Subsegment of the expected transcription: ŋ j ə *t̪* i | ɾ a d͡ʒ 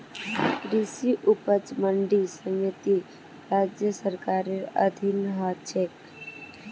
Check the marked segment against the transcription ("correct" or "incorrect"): correct